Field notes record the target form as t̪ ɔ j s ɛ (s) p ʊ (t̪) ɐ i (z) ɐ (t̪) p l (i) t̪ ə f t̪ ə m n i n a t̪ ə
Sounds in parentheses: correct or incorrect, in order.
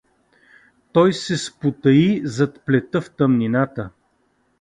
correct, correct, correct, correct, incorrect: ɛ

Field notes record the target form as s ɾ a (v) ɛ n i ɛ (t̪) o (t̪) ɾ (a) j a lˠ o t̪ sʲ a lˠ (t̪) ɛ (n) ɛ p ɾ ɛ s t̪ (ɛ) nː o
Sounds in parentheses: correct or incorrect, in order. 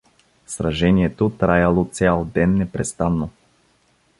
incorrect: ʒ, correct, correct, correct, incorrect: d̪, incorrect: nː, incorrect: a

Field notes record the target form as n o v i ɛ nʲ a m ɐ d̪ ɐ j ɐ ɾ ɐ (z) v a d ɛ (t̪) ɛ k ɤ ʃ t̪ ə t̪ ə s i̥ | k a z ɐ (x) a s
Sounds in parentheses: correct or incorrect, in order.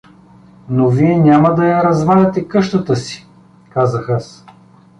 correct, correct, correct

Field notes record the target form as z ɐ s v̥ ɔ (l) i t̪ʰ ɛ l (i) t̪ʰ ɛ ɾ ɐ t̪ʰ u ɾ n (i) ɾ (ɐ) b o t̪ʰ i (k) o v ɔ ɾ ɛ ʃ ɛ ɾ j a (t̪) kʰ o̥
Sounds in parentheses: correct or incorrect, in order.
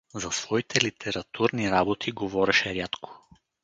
incorrect: none, correct, correct, incorrect: a, incorrect: ɡ, correct

